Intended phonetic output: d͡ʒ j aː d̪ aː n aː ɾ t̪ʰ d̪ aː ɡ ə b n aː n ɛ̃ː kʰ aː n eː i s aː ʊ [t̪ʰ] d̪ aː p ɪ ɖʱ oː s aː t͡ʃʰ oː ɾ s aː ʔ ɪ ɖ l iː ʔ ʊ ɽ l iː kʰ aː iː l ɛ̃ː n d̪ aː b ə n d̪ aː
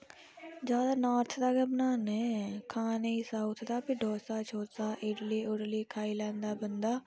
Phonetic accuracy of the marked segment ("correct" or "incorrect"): correct